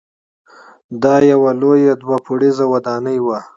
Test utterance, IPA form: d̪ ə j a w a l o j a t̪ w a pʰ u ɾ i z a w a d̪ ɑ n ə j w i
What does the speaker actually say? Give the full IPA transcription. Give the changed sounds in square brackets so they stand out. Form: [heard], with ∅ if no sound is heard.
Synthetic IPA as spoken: d̪ [ɑ] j a w a l o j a [d̪] w a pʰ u [ɽ] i z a w a d̪ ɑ n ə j w [a]